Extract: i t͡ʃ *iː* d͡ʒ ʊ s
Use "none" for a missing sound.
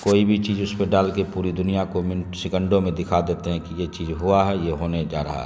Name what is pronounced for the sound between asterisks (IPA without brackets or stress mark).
iː